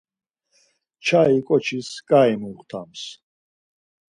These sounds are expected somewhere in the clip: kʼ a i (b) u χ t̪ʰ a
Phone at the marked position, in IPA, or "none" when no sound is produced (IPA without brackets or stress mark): m